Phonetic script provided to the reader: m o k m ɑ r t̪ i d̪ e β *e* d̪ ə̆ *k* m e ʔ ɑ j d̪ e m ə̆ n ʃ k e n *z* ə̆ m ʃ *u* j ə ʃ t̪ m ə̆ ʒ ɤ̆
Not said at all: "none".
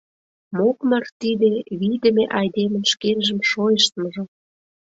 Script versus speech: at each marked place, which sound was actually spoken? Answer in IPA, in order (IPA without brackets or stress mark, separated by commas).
i, none, ʒ, o